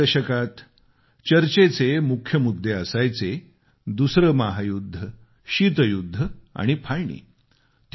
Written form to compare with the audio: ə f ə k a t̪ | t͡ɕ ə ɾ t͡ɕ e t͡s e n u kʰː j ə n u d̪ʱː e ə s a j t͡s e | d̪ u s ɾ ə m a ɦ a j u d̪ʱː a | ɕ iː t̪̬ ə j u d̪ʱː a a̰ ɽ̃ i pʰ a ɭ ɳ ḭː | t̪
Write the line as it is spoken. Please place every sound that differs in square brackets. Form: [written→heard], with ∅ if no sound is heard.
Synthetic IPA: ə [f→ɕ] ə k a t̪ | t͡ɕ ə ɾ t͡ɕ e t͡s e [n→m] u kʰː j ə [n→m] u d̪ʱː e ə s a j t͡s e | d̪ u s ɾ ə m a ɦ a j u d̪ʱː [a→ə] | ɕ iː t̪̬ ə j u d̪ʱː [a→ə] a̰ ɽ̃ i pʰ a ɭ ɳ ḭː | t̪